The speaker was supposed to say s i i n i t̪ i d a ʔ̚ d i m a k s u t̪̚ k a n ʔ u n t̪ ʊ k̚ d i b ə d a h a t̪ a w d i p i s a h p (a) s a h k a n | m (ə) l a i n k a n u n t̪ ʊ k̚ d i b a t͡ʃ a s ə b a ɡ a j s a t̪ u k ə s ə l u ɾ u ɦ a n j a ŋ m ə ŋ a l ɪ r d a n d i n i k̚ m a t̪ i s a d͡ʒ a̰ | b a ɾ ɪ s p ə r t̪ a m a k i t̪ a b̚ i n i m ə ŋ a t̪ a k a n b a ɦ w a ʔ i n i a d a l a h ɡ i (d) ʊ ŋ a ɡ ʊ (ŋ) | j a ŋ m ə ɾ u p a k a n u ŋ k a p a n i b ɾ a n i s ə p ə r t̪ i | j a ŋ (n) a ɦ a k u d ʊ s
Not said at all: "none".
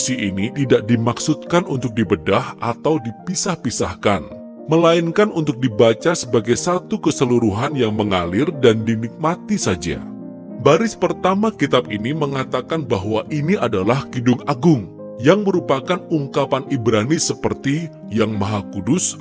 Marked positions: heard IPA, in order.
i, ə, d, ŋ, m

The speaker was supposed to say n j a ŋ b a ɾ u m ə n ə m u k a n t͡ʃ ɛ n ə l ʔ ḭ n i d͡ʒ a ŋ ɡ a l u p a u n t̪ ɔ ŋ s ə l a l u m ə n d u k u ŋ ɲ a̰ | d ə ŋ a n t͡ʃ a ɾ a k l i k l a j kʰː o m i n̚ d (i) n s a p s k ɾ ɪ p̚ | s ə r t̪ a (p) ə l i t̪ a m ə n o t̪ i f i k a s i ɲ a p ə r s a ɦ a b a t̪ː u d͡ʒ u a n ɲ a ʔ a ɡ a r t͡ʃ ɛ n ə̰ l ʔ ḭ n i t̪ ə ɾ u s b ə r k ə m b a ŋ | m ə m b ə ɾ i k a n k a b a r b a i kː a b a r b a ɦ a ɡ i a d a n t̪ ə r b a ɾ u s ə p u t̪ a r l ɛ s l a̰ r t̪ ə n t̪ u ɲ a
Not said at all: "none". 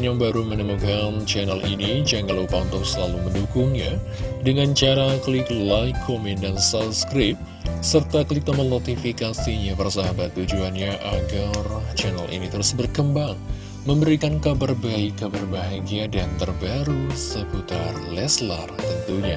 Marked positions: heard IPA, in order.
a, k

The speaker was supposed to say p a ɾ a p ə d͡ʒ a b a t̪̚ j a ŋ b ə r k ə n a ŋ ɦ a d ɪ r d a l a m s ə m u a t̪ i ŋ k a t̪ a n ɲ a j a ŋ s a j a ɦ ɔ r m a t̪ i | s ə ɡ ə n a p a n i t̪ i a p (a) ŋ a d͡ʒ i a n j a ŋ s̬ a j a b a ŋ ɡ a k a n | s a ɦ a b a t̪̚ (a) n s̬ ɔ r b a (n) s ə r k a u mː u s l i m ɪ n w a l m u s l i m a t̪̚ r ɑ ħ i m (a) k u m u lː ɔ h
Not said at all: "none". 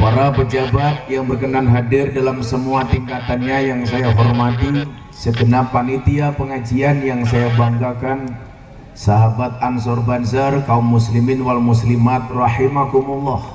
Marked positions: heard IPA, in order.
ə, a, n, a

